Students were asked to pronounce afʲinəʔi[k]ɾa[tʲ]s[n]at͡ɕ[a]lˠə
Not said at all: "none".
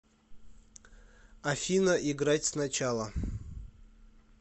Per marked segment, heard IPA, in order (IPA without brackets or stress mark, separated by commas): ɡ, tʲ, n, a